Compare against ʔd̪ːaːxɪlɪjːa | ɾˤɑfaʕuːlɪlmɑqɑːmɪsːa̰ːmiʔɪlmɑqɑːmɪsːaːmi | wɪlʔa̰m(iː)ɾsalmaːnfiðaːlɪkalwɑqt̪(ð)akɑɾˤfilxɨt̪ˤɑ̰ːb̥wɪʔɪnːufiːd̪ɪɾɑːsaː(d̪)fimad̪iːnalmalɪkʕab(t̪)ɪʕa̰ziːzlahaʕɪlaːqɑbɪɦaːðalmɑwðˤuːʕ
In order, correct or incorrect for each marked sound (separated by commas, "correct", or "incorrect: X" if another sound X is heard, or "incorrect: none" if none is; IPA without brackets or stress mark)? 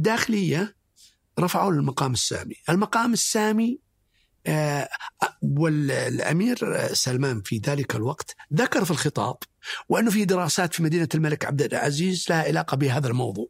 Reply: correct, correct, incorrect: t̪, incorrect: d̪